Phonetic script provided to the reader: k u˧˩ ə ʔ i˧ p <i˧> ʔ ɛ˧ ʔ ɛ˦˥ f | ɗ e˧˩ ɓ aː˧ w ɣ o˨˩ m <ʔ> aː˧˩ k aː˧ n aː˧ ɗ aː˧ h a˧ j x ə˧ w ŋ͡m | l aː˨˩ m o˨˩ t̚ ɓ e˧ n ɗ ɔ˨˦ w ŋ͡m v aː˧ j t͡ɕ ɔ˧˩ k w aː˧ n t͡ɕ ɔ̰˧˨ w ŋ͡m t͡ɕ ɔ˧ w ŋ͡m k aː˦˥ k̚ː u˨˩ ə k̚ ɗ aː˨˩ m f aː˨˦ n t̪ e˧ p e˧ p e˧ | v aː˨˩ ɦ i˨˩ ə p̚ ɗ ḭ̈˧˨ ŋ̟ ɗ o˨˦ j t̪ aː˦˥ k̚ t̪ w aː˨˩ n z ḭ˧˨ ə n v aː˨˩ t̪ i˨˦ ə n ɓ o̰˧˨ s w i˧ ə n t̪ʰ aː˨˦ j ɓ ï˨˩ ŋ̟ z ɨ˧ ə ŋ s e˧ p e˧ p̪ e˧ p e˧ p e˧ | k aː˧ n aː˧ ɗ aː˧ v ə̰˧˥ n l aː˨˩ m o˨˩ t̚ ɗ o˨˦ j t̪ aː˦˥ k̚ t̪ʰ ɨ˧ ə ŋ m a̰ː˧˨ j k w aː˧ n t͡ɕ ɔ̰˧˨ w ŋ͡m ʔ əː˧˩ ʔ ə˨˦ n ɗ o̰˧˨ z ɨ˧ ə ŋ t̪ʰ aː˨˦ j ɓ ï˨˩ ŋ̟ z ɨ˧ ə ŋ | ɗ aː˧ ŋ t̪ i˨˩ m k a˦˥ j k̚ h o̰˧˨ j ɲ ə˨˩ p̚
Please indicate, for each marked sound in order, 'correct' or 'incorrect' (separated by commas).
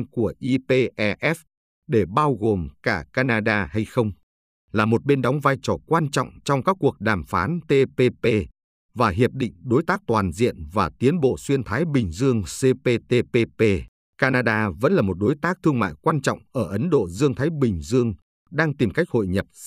incorrect, incorrect